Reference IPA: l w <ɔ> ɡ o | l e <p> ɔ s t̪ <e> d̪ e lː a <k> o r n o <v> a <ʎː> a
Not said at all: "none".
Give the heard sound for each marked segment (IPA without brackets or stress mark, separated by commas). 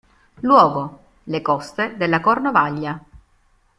ɔː, k, e, k, v, ʎː